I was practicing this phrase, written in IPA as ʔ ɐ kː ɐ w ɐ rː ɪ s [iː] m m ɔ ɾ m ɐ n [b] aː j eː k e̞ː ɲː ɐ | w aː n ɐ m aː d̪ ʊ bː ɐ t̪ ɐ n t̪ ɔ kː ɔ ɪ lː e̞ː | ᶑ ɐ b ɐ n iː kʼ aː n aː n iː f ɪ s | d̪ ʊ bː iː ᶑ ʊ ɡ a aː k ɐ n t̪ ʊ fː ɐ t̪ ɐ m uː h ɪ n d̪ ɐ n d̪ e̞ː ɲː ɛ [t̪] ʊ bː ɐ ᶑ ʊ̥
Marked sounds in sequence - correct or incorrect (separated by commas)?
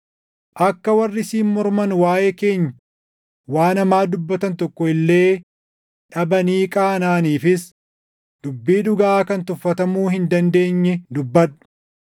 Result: correct, incorrect, incorrect